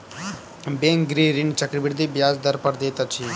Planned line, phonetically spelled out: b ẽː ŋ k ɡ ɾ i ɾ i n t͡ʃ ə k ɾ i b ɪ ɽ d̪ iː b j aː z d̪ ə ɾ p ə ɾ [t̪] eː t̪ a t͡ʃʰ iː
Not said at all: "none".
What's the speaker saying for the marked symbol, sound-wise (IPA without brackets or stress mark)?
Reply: d̪